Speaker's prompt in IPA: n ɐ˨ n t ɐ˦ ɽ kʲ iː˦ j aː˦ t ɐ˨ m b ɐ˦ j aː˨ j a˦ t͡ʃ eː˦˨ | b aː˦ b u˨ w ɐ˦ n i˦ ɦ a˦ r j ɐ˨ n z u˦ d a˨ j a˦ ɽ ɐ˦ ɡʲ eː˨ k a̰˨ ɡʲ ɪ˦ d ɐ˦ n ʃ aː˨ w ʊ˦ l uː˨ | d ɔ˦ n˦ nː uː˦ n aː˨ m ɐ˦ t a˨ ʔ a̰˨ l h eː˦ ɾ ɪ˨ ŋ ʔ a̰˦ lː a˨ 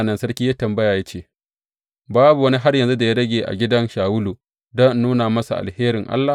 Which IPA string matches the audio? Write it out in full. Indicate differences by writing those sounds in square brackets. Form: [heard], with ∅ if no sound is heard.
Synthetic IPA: n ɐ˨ n [s] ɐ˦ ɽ kʲ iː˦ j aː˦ t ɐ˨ m b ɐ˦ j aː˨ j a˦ t͡ʃ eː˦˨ | b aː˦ b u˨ w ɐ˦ n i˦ ɦ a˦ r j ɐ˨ n z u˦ d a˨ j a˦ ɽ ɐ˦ ɡʲ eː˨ [ʔ] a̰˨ ɡʲ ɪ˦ d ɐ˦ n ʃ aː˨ w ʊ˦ l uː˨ | d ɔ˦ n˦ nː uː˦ n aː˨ m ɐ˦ [s] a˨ ʔ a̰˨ l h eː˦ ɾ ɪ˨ ŋ ʔ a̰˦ lː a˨